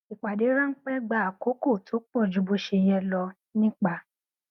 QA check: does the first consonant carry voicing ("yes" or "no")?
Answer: no